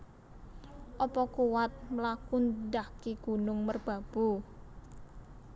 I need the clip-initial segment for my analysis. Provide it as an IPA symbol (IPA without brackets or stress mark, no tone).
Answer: ʔ